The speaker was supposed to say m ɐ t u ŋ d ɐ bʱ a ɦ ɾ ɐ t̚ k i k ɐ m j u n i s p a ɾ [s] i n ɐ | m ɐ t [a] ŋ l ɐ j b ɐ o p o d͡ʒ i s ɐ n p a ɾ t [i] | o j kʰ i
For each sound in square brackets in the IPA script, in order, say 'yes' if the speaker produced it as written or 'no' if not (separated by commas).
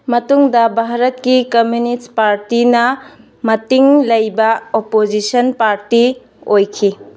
no, no, yes